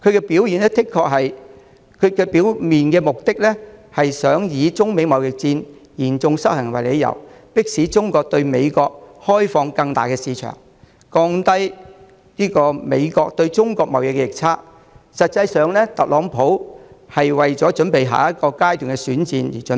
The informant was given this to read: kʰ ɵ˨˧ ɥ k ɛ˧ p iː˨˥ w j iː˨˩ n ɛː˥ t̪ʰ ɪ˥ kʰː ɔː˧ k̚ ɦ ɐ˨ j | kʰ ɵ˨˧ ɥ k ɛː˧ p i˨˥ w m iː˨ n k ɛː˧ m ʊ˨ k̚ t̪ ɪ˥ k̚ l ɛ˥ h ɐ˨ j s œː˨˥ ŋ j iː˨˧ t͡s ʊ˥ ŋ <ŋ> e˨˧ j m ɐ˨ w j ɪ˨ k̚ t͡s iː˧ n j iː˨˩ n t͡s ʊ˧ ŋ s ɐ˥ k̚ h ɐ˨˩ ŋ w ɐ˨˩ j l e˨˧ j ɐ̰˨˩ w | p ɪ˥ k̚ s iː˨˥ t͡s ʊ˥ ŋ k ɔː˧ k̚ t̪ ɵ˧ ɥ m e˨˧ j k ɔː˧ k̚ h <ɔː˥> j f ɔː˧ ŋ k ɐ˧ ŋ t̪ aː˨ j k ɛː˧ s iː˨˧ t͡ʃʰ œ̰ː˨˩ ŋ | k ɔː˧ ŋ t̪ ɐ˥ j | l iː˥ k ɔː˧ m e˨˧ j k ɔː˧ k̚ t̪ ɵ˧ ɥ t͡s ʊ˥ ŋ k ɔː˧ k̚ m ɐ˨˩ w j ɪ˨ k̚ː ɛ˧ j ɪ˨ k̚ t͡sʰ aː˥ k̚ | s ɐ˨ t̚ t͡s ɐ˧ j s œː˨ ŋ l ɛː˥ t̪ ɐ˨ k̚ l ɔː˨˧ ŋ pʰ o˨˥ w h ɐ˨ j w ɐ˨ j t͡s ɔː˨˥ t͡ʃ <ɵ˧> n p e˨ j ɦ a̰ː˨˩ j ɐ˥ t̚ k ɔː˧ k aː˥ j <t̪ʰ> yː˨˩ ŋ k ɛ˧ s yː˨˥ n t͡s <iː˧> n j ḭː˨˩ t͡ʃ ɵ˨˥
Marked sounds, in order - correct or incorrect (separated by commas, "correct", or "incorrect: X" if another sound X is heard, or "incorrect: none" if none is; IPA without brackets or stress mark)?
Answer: incorrect: m, correct, incorrect: ɵ˨˥, incorrect: t̪, correct